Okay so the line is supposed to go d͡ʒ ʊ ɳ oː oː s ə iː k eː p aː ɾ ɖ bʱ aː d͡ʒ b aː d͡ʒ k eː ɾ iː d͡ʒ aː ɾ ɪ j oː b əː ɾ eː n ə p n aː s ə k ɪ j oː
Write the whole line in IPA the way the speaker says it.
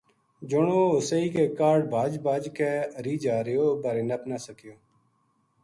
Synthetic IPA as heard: d͡ʒ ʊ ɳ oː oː s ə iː k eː k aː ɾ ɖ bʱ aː d͡ʒ b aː d͡ʒ k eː ɾ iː d͡ʒ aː ɾ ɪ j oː b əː ɾ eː n ə p n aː s ə k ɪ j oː